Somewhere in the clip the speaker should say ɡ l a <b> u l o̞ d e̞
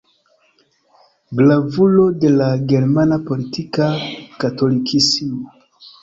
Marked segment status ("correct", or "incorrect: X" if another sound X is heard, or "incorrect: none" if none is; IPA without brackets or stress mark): incorrect: v